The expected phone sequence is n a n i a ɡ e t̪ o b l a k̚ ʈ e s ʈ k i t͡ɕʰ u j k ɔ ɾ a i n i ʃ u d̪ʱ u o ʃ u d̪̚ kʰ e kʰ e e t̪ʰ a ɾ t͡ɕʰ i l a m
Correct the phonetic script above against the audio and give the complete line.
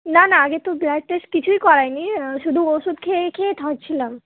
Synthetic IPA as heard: n a n a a ɡ e t̪ o b l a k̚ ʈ e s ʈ k i t͡ɕʰ u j k ɔ ɾ a j n i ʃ u d̪ʱ u o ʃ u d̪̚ kʰ e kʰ e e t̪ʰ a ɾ t͡ɕʰ i l a m